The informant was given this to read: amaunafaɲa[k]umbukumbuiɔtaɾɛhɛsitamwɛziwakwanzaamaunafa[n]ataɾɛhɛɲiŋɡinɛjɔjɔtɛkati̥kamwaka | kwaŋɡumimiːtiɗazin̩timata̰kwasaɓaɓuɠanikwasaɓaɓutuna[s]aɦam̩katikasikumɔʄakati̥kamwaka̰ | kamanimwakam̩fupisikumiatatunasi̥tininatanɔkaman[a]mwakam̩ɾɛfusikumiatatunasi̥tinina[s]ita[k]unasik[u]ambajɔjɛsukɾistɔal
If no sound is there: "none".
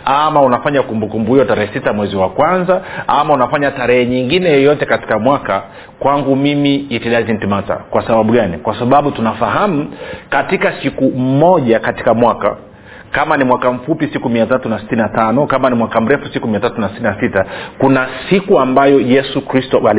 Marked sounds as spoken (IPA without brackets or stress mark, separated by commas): k, ɲ, f, i, s, k, u